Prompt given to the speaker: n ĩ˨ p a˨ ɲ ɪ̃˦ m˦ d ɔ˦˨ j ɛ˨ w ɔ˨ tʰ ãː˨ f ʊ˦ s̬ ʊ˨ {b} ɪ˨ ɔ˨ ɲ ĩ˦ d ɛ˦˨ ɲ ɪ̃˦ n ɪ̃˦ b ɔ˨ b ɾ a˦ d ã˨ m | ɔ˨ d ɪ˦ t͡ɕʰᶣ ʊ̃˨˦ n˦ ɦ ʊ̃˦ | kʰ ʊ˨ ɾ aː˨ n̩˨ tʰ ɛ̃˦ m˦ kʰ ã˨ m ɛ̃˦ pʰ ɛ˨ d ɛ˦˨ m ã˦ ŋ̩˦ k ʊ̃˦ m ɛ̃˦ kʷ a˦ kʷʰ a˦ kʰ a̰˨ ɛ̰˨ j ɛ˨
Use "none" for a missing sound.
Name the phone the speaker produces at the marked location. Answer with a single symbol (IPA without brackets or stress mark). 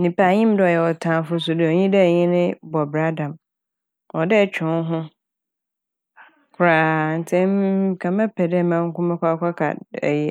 d